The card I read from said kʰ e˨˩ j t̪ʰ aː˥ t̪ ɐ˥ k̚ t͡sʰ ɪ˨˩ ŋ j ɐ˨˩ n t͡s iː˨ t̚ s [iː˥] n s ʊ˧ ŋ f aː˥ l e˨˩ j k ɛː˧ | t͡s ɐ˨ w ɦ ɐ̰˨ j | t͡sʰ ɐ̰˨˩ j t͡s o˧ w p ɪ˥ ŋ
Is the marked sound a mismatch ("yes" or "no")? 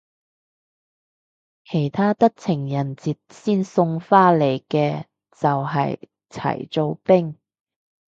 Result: no